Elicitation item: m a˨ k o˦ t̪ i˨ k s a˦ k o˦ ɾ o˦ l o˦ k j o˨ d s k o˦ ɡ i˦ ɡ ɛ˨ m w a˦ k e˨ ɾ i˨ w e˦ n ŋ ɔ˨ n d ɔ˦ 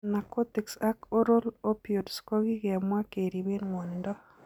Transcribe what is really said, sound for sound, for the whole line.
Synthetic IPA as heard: n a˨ k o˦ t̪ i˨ k s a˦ k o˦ ɾ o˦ l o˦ p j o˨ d s k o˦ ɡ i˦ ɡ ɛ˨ m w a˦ k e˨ ɾ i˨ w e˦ n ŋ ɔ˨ n d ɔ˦